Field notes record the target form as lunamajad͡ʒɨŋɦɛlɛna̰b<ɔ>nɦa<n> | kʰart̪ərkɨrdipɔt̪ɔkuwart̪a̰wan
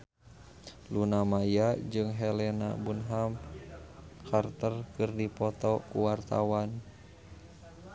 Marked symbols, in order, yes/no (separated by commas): no, no